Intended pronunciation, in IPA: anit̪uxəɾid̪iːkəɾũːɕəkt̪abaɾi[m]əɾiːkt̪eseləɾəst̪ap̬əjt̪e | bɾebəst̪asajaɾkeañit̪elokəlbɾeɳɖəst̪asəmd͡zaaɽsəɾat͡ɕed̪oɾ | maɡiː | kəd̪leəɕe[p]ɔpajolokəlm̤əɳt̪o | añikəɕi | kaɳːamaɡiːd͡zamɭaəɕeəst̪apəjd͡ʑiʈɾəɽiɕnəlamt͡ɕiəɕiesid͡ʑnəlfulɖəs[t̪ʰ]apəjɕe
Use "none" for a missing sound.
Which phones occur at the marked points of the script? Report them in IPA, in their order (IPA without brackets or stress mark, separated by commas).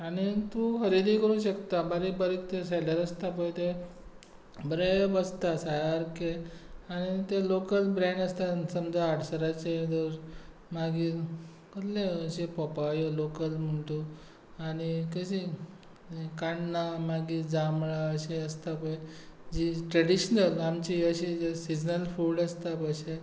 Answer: b, p, t̪